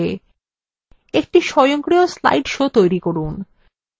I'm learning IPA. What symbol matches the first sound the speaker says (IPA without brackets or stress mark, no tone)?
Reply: e